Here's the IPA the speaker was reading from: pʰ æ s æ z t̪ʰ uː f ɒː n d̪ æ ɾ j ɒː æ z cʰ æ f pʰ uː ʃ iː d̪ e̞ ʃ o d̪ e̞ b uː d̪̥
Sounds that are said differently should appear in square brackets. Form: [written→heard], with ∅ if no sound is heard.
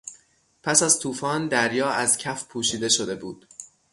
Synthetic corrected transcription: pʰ æ s æ z t̪ʰ uː f ɒː n d̪ æ ɾ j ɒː æ z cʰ æ f pʰ uː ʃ iː d̪ e̞ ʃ o d̪ e̞ b uː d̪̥